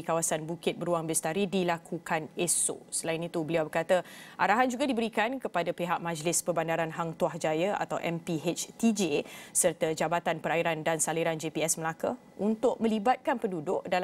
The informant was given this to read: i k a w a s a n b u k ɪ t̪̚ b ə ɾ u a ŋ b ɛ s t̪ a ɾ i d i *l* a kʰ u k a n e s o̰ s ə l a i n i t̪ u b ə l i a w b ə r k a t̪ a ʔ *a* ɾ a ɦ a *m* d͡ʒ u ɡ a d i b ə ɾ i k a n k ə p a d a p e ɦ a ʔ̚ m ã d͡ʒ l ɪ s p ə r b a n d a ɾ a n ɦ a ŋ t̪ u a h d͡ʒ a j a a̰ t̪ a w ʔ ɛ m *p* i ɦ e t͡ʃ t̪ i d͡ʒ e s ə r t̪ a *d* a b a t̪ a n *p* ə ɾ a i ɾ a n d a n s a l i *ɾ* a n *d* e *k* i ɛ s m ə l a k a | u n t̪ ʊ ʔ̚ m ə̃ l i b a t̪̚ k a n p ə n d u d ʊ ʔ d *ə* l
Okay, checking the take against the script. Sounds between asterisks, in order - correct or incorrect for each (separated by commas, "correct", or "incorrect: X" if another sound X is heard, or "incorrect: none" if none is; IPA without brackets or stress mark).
correct, correct, incorrect: n, correct, incorrect: d͡ʒ, correct, correct, incorrect: d͡ʒ, incorrect: p, incorrect: a